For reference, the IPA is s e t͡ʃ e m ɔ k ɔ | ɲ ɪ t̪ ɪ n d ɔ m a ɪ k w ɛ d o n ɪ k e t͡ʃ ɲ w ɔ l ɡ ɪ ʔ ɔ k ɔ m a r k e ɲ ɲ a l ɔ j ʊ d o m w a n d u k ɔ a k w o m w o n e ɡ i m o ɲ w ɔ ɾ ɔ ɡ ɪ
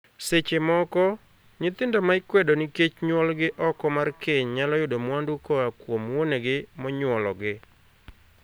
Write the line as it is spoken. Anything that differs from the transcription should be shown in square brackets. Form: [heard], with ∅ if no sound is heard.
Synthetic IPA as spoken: s e t͡ʃ e m ɔ k ɔ | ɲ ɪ t̪ ɪ n d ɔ m a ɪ k w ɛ d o n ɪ k e t͡ʃ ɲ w ɔ l ɡ ɪ ʔ ɔ k ɔ m a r k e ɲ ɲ a l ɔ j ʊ d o m w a n d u k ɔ a k w o m w o n e ɡ [ɪ] m [ɔ] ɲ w ɔ [l] ɔ ɡ ɪ